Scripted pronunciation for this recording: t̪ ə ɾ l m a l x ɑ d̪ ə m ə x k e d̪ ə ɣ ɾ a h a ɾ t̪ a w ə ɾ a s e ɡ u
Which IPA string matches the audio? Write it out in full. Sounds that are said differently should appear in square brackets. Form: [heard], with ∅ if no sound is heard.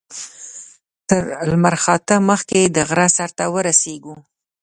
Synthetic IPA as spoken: t̪ ə ɾ l m a [ɾ] x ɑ [t̪] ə m ə x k e d̪ ə ɣ ɾ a [s] a ɾ t̪ a w ə ɾ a s e ɡ u